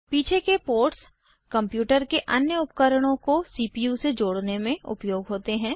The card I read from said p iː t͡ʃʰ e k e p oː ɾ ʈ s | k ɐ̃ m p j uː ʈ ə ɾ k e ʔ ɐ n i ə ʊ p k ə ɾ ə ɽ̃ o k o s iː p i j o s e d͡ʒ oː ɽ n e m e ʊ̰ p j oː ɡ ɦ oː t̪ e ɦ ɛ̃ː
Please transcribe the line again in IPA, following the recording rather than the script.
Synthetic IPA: p iː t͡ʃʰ e k e p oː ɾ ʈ s | k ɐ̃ m p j uː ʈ ə ɾ k e ʔ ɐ n j ə ʊ p k ə ɾ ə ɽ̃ õ k o s iː p i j u s e d͡ʒ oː ɽ n e m ẽ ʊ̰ p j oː ɡ ɦ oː t̪ e ɦ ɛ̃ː